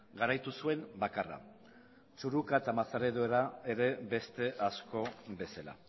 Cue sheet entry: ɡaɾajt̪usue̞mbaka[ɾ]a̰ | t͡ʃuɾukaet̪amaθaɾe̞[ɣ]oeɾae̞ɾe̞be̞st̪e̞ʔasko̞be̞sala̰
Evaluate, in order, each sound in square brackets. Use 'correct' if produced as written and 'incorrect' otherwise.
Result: incorrect, incorrect

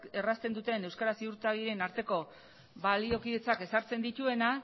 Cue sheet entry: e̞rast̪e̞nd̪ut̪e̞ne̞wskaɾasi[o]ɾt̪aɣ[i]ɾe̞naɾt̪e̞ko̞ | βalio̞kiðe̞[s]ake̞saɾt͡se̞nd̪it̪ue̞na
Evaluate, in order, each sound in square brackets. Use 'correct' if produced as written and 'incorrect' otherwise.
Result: incorrect, correct, incorrect

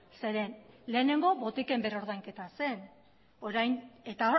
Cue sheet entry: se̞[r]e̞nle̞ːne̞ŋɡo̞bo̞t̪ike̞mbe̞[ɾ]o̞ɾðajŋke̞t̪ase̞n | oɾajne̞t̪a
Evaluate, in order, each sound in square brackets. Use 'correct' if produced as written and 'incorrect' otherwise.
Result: incorrect, correct

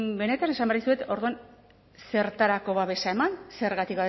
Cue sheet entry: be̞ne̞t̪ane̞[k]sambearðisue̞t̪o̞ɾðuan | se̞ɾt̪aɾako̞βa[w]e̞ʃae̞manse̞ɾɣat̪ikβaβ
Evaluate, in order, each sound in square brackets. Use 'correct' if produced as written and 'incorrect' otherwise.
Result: incorrect, incorrect

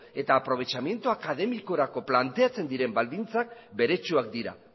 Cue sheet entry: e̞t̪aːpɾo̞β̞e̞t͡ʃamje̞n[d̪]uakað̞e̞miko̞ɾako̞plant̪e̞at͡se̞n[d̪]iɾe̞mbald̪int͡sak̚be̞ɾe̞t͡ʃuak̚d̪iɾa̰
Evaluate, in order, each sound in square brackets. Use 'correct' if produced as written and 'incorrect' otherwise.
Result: incorrect, correct

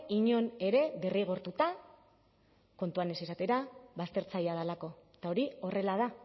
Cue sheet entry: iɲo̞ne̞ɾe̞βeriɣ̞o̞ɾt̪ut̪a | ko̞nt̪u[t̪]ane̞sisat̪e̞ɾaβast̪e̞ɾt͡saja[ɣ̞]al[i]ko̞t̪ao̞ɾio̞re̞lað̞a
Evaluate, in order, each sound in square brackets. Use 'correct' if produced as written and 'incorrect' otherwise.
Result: incorrect, incorrect, incorrect

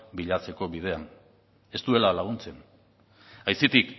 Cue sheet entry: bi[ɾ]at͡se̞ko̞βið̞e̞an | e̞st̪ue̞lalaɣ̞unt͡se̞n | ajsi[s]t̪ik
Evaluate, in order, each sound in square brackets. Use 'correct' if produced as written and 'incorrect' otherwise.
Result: incorrect, incorrect

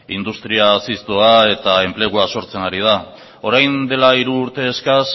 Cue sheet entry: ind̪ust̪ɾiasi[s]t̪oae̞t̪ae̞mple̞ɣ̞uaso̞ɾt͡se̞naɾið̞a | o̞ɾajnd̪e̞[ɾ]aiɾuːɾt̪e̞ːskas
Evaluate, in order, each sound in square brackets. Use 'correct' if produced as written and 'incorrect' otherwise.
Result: correct, incorrect

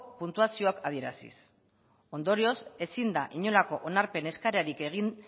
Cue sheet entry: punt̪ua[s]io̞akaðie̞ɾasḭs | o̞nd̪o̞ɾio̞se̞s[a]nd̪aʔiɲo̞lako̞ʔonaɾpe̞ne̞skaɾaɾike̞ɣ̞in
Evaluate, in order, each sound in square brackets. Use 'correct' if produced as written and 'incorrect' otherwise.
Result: correct, incorrect

